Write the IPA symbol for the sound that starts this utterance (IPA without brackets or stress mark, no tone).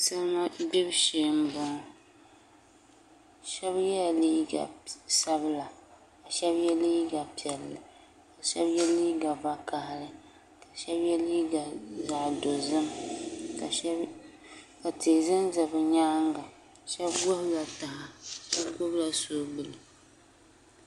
s